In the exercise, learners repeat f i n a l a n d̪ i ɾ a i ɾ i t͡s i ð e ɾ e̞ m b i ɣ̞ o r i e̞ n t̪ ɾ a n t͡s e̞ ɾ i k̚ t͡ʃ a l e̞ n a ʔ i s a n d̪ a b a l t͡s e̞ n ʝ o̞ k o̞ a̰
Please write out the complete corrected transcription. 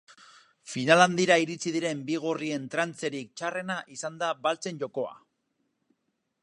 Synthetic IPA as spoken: f i n a l a n d̪ i ɾ a i ɾ i t͡s i ð i ɾ e̞ m b i ɣ̞ o r i e̞ n t̪ ɾ a n t͡s e̞ ɾ i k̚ t͡ʃ a r e̞ n a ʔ i s a n d̪ a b a l t͡s e̞ n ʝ o̞ k o̞ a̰